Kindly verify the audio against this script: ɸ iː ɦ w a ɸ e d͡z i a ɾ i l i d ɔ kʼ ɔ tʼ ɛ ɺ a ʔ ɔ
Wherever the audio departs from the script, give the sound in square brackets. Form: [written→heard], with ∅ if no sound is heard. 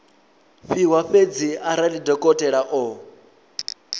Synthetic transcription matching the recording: ɸ [iː→i] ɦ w a ɸ e d͡z i a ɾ [i→a] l i d ɔ kʼ ɔ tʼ ɛ ɺ a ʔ ɔ